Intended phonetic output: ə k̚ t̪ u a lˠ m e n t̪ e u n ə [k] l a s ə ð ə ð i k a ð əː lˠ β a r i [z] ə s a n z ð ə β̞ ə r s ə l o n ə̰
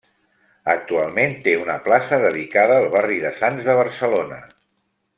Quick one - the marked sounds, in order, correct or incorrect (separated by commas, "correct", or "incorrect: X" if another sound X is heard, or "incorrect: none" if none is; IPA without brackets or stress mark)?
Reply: incorrect: p, incorrect: ð